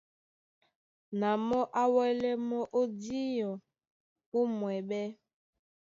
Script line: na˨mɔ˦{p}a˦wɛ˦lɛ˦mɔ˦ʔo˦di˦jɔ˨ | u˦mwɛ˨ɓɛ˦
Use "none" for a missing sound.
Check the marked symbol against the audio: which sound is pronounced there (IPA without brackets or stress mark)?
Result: ʔ